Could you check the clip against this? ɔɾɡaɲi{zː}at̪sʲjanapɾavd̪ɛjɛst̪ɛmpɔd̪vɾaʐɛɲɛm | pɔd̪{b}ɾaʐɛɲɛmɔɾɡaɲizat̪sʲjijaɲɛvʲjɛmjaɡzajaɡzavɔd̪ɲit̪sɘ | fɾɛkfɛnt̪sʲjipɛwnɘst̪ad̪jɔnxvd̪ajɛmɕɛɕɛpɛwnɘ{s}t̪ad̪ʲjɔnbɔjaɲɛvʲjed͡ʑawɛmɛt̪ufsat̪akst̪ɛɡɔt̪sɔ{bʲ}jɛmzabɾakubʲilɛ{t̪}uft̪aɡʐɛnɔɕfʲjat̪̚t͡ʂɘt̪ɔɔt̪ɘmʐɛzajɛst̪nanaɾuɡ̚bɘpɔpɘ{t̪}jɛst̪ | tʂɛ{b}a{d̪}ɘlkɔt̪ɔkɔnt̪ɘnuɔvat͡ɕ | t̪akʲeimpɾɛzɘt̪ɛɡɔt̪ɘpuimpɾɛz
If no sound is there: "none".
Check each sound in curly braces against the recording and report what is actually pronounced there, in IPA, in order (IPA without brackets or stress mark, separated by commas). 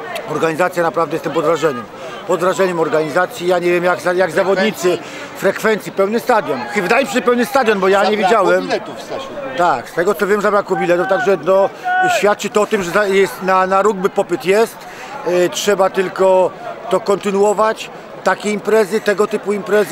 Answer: z, v, s, vʲ, t̪, t̪, b, t̪